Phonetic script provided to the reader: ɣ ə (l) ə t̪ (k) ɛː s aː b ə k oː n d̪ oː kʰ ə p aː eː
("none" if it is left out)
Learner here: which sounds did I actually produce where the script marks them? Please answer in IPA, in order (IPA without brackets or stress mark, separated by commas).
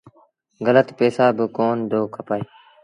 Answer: l, p